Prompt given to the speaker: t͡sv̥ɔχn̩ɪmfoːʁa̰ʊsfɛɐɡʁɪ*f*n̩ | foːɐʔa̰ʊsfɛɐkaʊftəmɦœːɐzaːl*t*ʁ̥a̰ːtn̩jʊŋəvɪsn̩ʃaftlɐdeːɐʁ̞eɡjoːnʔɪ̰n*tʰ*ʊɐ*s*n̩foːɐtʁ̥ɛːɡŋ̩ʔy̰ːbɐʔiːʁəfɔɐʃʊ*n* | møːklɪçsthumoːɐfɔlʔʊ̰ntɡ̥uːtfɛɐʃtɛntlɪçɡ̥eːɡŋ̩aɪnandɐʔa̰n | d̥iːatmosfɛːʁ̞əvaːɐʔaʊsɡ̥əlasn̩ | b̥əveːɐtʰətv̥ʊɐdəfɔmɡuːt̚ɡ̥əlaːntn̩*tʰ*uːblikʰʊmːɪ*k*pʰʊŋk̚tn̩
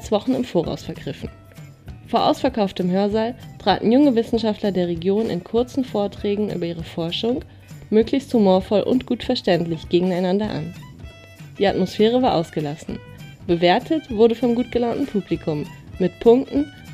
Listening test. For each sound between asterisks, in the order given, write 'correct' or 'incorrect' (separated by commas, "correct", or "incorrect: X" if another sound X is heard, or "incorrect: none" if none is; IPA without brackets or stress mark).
correct, correct, incorrect: kʰ, incorrect: t͡s, incorrect: ŋ, incorrect: pʰ, incorrect: t